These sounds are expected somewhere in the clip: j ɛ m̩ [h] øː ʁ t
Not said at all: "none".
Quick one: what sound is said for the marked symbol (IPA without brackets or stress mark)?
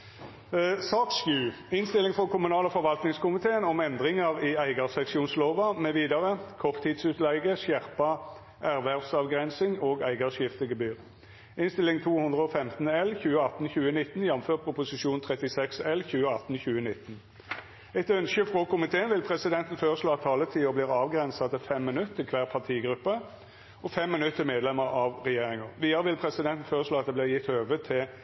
f